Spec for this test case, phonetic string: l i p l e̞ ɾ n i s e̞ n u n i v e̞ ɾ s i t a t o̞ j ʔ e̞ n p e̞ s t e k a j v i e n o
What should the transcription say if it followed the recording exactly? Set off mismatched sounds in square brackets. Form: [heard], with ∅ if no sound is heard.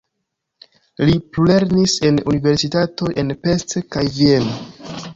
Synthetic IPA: l i p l e̞ ɾ n i s e̞ n u n i v e̞ ɾ s i t a t o̞ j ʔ e̞ n p e̞ s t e k a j v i e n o